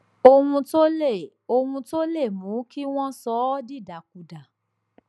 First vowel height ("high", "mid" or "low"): mid